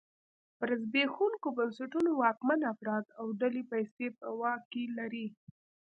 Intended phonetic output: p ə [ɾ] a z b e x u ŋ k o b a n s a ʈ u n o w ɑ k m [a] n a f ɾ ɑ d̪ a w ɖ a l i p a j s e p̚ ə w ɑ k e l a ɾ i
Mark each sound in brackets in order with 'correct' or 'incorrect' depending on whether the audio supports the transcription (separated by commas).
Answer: correct, correct